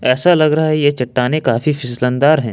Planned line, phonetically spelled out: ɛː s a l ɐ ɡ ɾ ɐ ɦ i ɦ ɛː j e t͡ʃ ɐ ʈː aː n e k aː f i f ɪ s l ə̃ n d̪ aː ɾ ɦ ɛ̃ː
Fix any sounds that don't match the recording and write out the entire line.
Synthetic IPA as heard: ɛː s a l ɐ ɡ ɾ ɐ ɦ a ɦ ɛ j e t͡ʃ ɐ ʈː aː n e k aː f i f ɪ s l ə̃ n d̪ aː ɾ ɦ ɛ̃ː